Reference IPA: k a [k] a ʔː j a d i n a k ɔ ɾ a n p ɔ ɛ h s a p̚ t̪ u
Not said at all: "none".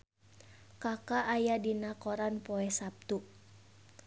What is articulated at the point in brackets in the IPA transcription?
k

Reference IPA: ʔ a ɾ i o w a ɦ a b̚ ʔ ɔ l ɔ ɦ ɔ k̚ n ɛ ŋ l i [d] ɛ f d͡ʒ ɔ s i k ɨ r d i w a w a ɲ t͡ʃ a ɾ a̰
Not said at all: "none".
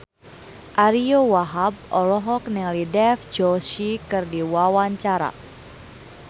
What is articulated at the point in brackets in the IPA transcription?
d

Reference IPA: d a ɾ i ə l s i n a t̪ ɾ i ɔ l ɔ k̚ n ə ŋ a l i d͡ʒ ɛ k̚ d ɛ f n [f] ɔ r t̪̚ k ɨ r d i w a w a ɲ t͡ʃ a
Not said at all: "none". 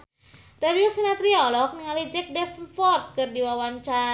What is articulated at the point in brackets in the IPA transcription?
f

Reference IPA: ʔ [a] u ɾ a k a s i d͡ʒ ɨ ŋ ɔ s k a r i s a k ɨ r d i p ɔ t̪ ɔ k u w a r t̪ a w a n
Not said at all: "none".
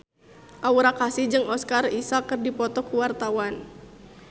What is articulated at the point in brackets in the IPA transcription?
a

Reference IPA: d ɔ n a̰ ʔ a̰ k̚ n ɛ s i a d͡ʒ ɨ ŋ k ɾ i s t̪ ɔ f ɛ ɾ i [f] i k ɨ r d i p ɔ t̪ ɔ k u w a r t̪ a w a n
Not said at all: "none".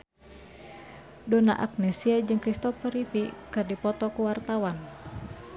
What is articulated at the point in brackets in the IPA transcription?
f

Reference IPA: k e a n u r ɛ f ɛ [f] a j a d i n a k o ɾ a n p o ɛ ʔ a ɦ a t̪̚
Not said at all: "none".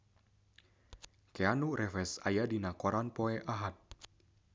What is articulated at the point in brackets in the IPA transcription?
s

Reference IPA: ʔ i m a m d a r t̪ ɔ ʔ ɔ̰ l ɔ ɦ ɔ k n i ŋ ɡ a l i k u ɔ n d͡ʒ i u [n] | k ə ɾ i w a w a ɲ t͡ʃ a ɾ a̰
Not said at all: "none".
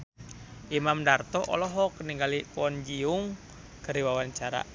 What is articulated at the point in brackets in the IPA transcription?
ŋ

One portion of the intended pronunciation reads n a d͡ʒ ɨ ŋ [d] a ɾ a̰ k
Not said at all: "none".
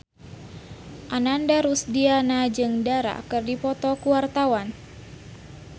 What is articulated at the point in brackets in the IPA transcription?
d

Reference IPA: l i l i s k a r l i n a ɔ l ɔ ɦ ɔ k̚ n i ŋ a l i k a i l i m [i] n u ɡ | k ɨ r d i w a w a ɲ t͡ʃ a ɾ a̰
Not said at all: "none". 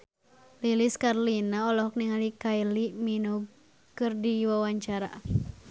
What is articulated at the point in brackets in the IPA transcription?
i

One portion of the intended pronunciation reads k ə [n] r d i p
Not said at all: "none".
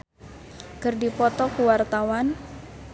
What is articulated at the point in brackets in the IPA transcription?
none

